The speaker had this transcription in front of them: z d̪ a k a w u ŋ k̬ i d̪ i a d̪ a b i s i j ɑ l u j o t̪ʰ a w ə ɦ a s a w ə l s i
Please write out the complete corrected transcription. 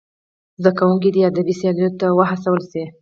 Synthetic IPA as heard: z d̪ a k a w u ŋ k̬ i d̪ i a d̪ a b i s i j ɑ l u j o t̪ a w ə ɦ a s a w ə l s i